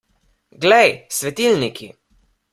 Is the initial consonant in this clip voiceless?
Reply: no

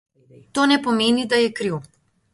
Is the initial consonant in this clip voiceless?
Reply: yes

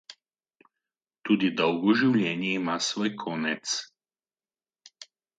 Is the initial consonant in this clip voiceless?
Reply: yes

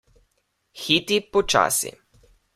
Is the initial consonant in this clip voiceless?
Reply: yes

